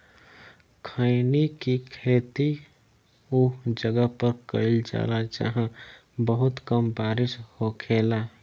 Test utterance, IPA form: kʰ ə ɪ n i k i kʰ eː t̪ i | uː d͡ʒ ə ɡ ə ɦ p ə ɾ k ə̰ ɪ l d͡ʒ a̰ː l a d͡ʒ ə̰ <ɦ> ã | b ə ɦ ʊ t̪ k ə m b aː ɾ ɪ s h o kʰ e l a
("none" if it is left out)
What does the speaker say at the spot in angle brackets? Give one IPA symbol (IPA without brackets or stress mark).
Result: ɦ